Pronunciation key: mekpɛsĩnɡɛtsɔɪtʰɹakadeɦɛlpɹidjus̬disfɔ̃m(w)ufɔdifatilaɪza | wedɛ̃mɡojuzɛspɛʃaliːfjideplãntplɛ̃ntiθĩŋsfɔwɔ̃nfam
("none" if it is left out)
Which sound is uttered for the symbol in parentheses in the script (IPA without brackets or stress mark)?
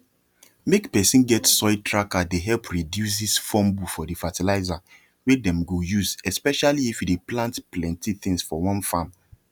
b